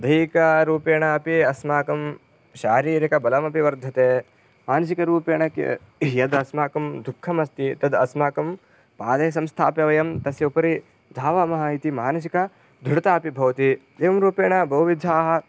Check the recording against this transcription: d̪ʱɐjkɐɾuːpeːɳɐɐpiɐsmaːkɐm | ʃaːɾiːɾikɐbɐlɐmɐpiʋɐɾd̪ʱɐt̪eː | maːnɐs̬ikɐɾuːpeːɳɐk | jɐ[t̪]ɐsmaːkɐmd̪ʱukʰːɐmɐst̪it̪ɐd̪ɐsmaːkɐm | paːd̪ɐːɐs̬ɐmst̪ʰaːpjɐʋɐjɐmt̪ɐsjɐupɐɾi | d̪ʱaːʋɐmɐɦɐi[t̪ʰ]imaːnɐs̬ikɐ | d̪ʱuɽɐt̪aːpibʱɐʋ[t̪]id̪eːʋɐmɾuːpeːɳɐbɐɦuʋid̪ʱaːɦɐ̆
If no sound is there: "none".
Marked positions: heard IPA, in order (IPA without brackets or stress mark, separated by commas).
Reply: d̪, t̪, t̪